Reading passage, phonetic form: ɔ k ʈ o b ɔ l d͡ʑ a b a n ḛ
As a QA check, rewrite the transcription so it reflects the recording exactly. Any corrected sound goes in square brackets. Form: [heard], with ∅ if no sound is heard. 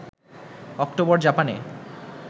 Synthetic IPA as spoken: ɔ k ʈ o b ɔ [ɾ] d͡ʑ a [p] a n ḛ